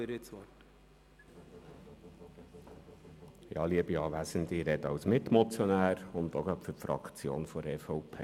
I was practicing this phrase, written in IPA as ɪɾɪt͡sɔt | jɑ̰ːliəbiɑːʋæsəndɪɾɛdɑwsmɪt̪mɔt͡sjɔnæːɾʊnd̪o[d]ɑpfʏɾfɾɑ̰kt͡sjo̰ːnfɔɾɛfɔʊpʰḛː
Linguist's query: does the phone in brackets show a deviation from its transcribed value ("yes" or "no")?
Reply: yes